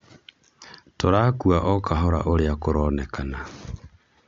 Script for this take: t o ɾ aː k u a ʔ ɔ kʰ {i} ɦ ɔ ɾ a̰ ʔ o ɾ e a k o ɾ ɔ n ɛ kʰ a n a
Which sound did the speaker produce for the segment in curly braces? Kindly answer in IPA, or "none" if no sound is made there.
a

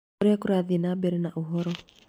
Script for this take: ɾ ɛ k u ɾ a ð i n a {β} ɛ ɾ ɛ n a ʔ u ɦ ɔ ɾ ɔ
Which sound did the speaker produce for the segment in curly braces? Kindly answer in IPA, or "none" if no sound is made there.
b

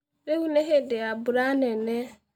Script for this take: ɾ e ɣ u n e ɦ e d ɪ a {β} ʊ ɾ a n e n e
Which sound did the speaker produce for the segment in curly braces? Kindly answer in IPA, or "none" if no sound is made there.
b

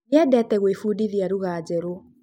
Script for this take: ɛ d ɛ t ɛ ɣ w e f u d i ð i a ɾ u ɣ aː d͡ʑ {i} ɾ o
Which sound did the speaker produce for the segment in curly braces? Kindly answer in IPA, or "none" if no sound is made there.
ɛ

